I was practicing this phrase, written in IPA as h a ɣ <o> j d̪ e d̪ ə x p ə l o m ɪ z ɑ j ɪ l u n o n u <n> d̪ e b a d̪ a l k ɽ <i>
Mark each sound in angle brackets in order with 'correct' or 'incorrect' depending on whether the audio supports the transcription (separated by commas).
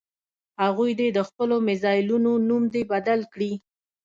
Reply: incorrect, incorrect, correct